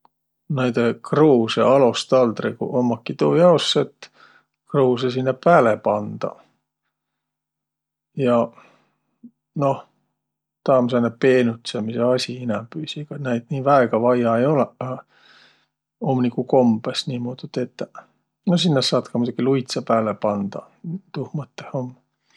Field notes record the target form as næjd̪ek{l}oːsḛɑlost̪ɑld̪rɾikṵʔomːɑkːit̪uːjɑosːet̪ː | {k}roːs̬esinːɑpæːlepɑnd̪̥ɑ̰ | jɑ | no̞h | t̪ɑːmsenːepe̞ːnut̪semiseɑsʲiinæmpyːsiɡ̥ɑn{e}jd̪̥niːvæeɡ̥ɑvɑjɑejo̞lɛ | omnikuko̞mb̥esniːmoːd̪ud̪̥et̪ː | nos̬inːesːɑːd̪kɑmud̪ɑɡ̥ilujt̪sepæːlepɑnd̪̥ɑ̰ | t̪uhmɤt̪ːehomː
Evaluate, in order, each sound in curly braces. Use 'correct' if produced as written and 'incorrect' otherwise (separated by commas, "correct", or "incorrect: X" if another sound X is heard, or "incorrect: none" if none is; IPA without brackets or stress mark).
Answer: incorrect: r, correct, incorrect: æ